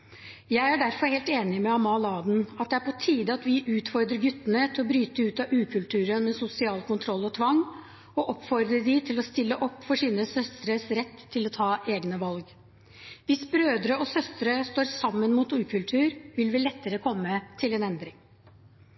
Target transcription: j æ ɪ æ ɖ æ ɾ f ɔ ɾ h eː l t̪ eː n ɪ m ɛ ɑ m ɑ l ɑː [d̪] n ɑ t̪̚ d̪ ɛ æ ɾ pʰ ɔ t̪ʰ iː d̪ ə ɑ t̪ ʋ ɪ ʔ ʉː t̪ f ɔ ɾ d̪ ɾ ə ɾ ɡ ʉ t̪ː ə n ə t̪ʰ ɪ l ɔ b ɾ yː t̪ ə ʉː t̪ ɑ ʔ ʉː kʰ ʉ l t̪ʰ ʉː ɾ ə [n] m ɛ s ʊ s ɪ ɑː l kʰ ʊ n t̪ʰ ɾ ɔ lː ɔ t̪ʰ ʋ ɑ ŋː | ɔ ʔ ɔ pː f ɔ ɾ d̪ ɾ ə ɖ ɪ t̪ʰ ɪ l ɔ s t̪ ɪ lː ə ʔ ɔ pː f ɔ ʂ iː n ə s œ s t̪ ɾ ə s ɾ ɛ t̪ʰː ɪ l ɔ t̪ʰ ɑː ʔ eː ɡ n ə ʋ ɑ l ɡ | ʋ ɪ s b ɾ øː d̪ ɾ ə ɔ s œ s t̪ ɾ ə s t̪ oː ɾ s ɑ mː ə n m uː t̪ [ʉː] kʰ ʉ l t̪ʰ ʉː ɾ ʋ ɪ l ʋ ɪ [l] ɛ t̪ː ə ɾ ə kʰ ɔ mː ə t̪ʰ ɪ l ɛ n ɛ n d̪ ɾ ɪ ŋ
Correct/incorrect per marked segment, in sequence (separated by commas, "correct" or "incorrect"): correct, correct, correct, correct